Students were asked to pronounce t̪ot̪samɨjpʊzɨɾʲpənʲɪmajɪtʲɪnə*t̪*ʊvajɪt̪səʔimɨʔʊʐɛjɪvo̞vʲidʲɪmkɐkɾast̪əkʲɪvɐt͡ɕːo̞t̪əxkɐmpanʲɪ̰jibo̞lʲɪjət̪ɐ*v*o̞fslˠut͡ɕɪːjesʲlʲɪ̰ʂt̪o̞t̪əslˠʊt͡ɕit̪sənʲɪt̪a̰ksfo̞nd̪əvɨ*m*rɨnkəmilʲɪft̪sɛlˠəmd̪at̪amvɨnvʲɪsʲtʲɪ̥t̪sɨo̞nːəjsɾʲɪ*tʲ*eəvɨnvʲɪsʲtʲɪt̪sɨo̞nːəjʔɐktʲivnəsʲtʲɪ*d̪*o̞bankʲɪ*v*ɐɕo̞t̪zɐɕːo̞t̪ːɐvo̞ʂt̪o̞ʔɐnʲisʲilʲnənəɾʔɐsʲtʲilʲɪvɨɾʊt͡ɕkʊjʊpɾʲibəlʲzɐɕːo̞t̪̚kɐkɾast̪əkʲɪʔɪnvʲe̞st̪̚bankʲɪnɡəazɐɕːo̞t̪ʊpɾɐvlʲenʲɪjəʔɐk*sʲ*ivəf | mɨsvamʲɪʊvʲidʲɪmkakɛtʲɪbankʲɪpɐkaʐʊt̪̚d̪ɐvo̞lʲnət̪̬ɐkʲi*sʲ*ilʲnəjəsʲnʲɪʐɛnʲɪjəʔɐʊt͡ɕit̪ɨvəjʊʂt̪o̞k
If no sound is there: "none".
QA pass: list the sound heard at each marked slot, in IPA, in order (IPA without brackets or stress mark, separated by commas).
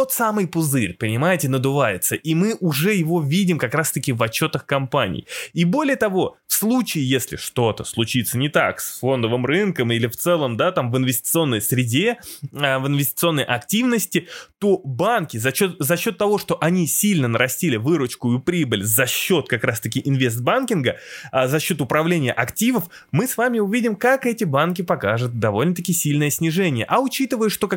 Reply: d̪, v, m, dʲ, t̪, z, tʲ, sʲ